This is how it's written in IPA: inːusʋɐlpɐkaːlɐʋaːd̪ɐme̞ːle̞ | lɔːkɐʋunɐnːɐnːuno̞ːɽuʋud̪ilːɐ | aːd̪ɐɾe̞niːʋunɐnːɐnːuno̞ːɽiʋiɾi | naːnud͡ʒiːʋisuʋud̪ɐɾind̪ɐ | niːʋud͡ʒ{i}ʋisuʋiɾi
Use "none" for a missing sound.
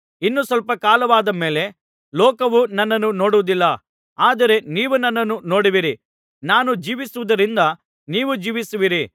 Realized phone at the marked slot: iː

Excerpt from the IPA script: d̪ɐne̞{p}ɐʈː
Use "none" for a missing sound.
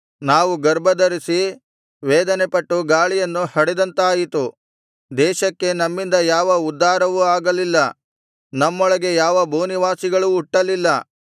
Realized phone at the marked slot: p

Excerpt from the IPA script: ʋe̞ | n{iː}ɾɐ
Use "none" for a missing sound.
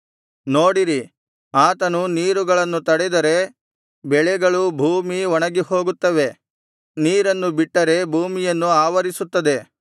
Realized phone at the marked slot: iː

